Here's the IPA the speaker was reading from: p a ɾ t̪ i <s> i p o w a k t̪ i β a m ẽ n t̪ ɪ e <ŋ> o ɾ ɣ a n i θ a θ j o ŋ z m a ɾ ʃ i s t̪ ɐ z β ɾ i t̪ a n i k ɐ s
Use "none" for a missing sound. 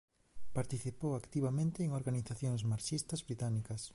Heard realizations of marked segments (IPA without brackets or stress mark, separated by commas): θ, ŋ